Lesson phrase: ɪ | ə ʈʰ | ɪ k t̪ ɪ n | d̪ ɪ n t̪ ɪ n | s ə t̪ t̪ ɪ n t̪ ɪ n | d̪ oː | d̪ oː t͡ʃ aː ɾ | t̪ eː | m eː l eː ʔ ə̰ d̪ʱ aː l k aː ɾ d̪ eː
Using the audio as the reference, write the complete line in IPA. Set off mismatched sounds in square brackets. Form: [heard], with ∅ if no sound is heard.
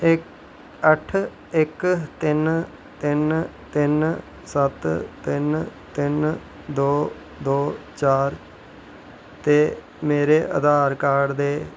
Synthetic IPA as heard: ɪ | ə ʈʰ | ɪ k t̪ ɪ n | [t̪] ɪ n t̪ ɪ n | s ə t̪ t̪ ɪ n t̪ ɪ n | d̪ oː | d̪ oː t͡ʃ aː ɾ | t̪ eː | m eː [ɾ] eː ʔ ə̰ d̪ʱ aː [ɾ] k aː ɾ d̪ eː